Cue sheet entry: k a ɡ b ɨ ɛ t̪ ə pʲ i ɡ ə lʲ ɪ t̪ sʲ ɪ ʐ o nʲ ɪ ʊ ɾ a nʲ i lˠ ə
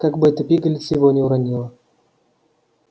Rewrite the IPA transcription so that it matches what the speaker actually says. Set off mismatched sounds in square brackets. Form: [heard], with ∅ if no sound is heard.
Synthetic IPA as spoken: k a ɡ b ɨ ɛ t̪ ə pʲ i ɡ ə lʲ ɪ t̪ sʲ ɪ [v] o nʲ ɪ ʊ ɾ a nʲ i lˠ ə